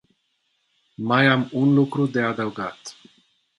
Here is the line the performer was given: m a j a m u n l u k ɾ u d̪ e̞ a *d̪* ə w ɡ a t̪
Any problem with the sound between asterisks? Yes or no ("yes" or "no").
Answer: no